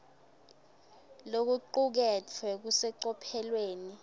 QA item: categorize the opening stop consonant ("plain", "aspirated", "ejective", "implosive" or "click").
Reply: plain